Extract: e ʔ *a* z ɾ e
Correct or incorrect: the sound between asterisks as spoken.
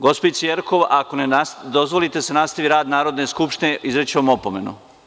incorrect: i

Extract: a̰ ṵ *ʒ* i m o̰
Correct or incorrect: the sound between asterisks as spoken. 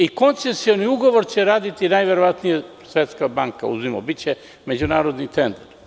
incorrect: z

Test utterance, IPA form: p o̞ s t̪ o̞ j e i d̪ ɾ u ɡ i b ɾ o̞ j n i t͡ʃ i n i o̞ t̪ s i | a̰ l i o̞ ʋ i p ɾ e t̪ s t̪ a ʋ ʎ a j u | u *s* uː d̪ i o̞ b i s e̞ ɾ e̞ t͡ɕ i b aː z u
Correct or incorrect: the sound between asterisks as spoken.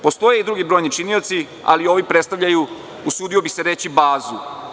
correct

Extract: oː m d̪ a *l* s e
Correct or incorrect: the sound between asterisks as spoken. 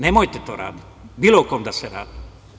incorrect: none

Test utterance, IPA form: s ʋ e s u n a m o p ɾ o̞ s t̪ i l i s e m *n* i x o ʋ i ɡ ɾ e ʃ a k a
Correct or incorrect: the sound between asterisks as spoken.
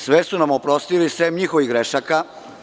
incorrect: ɲ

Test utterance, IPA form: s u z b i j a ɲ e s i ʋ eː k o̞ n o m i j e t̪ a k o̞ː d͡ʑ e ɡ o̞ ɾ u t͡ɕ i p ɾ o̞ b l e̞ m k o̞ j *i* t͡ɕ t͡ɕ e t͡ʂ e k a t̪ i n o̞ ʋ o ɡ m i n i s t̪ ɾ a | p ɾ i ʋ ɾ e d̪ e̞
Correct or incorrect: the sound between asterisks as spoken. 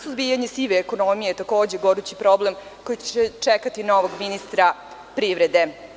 correct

